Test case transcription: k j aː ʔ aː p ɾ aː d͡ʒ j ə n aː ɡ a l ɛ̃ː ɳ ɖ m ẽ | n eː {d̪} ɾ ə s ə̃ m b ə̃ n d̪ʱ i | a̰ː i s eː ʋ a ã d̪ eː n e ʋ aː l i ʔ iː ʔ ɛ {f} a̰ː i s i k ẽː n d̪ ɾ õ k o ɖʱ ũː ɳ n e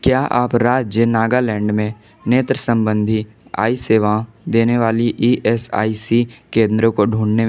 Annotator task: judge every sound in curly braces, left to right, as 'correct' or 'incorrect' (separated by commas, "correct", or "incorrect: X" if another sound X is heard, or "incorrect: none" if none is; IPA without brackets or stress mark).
incorrect: t̪, incorrect: s